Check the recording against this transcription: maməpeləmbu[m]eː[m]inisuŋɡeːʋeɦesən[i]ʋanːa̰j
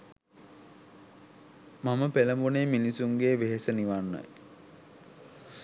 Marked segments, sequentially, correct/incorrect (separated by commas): incorrect, correct, correct